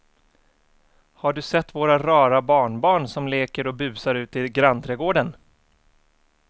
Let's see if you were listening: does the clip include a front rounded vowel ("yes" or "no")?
no